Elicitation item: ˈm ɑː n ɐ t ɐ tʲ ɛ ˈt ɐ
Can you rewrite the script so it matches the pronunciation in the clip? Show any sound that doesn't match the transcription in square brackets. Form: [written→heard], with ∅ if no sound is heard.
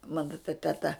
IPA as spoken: ˈm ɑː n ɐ t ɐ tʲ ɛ ˈt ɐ